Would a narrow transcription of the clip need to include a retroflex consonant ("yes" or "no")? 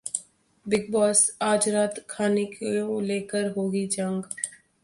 no